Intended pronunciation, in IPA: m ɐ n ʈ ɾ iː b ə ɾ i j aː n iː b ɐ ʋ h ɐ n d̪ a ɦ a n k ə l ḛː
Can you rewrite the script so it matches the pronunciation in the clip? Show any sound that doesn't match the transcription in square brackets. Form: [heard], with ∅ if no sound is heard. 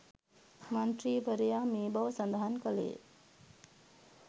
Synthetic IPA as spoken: m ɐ n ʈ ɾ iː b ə ɾ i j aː [m] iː b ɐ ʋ [s] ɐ n d̪ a ɦ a n k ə l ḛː

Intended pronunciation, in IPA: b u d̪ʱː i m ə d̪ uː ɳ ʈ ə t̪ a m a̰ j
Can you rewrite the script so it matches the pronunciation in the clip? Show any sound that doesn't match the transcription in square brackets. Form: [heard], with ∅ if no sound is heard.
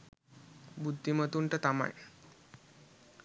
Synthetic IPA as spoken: b u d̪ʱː i m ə [t̪] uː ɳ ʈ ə t̪ a m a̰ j

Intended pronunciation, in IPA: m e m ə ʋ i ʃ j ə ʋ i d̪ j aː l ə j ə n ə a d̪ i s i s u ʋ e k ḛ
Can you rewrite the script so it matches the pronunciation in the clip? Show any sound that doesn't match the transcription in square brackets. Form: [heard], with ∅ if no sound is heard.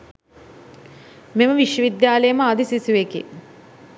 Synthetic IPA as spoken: m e m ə ʋ i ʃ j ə ʋ i d̪ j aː l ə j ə [m] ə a d̪ i s i s u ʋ e k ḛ

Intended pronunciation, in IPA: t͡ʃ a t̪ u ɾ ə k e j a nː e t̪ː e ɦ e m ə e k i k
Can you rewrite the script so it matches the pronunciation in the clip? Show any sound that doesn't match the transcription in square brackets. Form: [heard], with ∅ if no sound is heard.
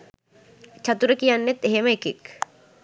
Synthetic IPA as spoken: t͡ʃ a t̪ u ɾ ə k [i] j a nː e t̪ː e ɦ e m ə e k i k

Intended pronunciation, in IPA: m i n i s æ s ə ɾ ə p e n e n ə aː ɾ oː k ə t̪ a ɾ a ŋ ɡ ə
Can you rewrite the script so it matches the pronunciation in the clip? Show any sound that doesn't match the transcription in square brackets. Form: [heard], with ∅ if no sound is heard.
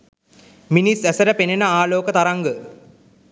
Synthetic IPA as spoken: m i n i s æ s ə ɾ ə p e n e n ə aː [l] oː k ə t̪ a ɾ a ŋ ɡ ə

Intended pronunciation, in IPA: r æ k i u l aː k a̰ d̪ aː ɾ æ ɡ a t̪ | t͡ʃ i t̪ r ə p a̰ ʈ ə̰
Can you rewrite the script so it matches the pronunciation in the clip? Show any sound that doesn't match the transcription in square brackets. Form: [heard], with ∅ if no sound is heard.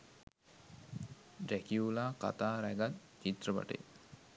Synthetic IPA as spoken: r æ k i u l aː k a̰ [t̪] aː ɾ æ ɡ a t̪ | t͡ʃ i t̪ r ə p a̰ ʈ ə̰

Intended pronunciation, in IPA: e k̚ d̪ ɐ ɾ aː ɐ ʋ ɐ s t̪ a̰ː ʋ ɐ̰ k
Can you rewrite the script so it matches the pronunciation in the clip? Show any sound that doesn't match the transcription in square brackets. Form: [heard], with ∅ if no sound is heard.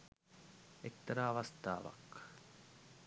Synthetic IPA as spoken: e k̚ [t̪] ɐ ɾ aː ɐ ʋ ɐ s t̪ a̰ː ʋ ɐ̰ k

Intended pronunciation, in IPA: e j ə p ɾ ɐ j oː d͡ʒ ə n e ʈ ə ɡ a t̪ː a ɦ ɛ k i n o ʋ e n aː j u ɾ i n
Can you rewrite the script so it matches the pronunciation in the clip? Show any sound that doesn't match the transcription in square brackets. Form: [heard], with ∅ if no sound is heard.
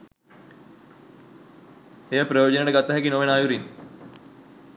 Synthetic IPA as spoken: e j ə p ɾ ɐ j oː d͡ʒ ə n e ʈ ə ɡ a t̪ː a ɦ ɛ k i n o ʋ e n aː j u ɾ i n

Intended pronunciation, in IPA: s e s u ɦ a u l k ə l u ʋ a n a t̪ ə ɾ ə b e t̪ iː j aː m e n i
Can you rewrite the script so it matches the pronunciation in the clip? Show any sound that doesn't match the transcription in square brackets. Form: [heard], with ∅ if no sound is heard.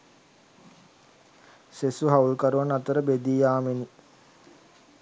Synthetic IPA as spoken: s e s u ɦ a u l k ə [ɾ] u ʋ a n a t̪ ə ɾ ə b e [d̪] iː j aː m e n i

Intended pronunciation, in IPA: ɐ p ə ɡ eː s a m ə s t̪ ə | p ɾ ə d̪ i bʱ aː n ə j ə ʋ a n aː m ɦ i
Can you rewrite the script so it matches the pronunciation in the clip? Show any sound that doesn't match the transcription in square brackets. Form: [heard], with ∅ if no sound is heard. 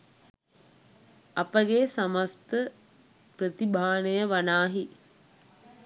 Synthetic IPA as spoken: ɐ p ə ɡ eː s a m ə s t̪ ə | p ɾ ə [t̪] i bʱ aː n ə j ə ʋ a n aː [∅] ɦ i

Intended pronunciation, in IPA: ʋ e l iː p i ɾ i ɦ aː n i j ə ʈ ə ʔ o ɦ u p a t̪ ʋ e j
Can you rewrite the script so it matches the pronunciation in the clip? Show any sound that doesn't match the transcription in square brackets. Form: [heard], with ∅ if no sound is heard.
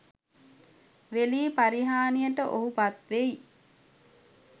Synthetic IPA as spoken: ʋ e l iː p [a] ɾ i ɦ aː n i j ə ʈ ə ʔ o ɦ u p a t̪ ʋ e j

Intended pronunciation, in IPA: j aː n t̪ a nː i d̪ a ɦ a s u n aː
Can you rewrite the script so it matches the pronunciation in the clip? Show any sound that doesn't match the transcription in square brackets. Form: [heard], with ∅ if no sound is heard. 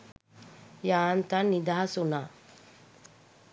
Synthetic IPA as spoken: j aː n t̪ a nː i d̪ a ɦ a s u n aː

